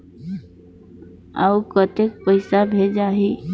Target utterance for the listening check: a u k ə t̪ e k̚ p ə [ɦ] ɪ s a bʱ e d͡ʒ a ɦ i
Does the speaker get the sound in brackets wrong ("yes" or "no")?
yes